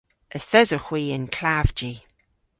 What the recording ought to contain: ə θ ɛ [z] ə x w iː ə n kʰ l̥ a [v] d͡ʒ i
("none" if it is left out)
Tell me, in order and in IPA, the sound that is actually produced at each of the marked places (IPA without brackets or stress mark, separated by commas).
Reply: z, v